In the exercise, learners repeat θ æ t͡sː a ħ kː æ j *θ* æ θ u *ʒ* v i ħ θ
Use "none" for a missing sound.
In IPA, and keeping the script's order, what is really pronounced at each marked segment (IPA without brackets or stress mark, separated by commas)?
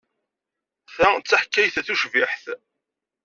θ, ʃ